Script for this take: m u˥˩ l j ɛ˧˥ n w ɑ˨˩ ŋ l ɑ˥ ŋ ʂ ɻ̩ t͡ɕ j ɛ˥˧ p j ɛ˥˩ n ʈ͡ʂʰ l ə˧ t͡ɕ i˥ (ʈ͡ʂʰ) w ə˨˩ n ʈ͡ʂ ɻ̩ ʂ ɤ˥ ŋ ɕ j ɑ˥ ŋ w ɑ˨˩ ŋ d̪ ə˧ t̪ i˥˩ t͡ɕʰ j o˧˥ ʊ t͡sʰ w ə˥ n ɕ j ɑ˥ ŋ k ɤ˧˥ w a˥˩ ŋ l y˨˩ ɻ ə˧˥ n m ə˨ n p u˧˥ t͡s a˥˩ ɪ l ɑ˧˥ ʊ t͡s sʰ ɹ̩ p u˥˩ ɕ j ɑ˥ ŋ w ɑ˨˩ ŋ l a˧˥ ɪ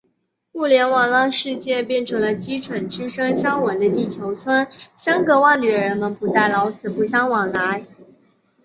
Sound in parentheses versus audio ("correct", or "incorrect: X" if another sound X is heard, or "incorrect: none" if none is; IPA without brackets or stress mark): correct